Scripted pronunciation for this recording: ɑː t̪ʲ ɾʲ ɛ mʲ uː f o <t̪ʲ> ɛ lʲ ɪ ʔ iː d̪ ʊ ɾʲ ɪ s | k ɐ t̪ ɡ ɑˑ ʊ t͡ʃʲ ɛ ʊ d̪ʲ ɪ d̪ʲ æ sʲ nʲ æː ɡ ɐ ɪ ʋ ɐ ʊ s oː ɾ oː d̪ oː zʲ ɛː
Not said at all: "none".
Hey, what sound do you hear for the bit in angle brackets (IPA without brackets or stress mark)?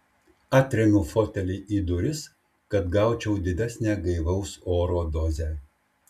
t̪ʲ